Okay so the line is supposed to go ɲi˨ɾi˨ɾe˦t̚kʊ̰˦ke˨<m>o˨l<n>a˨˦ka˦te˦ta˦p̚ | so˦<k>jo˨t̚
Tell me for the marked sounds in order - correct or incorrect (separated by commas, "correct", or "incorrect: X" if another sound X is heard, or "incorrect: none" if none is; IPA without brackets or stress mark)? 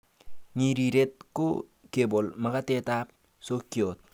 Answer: incorrect: b, incorrect: m, correct